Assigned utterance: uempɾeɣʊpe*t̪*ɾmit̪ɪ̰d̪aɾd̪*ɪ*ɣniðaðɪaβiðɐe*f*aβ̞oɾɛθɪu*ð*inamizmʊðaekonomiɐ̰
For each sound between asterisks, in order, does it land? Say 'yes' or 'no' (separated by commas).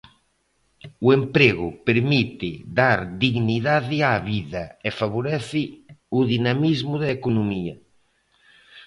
no, no, yes, yes